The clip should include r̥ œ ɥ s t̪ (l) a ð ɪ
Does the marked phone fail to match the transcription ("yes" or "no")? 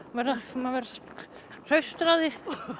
yes